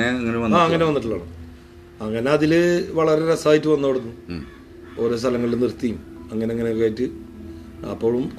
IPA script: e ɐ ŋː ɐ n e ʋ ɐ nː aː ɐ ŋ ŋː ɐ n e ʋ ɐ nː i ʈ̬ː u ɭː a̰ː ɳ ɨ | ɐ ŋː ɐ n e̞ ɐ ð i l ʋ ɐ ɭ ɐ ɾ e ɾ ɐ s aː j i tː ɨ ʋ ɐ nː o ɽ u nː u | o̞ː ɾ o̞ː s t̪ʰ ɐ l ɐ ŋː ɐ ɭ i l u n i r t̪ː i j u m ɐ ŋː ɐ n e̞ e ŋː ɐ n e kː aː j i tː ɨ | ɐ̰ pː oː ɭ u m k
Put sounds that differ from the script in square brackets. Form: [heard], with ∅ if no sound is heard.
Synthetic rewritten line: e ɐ ŋː ɐ n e ʋ ɐ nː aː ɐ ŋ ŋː ɐ n e ʋ ɐ nː i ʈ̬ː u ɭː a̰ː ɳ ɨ | ɐ ŋː ɐ n e̞ ɐ ð i l ʋ ɐ ɭ ɐ ɾ e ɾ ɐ s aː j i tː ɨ ʋ ɐ nː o ɽ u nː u | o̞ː ɾ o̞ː s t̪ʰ ɐ l ɐ ŋː ɐ ɭ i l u n i r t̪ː i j u m ɐ ŋː ɐ n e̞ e ŋː ɐ n e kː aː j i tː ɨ | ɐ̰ pː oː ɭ u m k